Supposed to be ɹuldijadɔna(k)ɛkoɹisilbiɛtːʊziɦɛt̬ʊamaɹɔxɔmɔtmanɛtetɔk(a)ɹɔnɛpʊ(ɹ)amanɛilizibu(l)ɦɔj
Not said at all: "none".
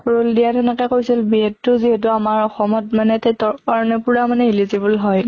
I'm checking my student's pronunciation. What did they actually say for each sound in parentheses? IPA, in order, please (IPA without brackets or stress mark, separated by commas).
k, a, ɹ, l